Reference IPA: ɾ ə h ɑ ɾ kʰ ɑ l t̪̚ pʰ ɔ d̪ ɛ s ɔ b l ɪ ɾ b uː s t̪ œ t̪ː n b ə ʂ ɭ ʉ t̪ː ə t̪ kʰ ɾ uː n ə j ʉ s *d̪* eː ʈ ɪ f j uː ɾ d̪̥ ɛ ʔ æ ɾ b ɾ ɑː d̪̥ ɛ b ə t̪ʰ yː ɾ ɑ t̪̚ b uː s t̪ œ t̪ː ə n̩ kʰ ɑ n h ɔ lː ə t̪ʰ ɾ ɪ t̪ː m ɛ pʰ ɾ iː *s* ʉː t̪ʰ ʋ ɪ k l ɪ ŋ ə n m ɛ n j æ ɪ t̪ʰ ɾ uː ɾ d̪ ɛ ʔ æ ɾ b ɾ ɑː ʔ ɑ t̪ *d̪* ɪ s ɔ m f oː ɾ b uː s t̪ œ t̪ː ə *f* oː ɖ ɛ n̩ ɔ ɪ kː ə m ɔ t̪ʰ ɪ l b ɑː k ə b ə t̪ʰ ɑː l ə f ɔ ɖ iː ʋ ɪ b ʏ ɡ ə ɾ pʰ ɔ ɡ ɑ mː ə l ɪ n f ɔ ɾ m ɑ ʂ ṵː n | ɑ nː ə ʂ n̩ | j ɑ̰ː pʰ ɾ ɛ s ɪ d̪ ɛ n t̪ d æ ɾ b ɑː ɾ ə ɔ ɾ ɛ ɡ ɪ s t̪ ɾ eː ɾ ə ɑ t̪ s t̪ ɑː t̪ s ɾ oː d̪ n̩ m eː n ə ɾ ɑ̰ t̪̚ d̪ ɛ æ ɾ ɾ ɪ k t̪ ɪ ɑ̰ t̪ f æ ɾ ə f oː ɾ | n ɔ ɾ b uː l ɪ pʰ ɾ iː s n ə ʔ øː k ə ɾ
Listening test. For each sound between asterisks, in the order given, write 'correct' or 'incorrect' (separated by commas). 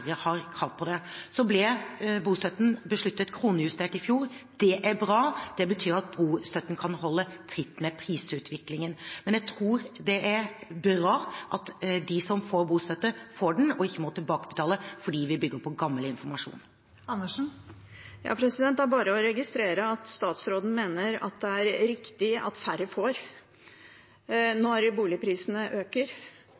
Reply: incorrect, correct, correct, correct